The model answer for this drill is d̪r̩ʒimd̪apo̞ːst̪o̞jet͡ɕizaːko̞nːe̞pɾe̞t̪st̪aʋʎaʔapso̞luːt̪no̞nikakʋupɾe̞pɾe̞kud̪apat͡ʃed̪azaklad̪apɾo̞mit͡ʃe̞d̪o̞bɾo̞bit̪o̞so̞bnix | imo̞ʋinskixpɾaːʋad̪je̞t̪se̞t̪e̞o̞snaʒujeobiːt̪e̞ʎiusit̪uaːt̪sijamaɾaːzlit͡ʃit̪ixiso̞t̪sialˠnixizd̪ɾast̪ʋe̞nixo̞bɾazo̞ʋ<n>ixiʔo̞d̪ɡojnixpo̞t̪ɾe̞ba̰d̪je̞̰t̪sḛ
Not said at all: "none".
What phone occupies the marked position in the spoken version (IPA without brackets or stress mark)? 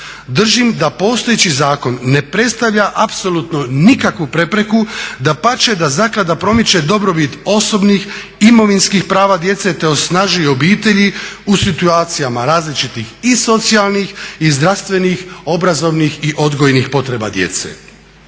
n